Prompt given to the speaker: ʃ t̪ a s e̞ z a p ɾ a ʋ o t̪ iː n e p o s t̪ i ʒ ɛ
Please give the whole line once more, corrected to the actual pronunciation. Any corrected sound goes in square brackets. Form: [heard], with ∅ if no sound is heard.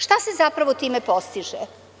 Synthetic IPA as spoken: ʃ t̪ a s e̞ z a p ɾ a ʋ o t̪ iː [m] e p o s t̪ i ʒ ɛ